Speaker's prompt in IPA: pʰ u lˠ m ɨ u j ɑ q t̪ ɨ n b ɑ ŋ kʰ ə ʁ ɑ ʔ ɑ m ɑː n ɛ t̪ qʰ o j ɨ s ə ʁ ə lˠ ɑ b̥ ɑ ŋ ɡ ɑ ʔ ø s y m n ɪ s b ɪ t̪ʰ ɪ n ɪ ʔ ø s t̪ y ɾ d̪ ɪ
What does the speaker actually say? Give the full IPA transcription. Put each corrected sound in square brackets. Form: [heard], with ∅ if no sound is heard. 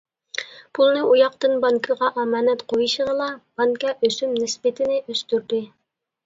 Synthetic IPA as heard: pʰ u lˠ [n] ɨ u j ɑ q t̪ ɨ n b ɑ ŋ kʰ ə ʁ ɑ ʔ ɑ m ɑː n ɛ t̪ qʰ o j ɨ [ʃ] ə ʁ ə lˠ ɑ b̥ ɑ ŋ [k] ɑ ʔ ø s y m n ɪ s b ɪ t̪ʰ ɪ n ɪ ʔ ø s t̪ y ɾ d̪ ɪ